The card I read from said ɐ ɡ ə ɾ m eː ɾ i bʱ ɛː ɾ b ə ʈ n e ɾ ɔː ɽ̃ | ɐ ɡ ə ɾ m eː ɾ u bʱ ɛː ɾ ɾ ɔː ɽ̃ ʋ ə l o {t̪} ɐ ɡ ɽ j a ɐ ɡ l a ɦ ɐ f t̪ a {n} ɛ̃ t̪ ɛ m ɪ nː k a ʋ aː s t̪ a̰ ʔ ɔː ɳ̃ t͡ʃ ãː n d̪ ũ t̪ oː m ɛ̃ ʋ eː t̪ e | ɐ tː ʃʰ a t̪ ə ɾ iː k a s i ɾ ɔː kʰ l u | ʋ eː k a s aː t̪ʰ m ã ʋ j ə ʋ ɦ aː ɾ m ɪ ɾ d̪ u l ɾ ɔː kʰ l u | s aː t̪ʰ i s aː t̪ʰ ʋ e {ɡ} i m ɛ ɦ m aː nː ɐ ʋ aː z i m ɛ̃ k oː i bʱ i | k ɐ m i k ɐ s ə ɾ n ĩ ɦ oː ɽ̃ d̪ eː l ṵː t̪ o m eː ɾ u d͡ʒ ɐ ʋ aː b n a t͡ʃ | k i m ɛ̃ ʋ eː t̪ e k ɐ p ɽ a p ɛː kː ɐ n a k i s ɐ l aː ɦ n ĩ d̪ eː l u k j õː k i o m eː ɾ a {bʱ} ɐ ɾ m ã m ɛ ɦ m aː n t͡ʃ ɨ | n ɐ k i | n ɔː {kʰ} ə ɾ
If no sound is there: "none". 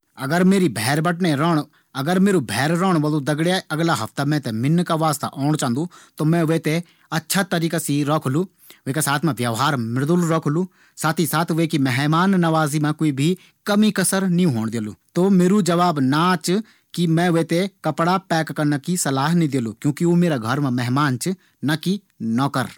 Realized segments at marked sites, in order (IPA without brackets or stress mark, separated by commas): d̪, m, k, ɡʱ, k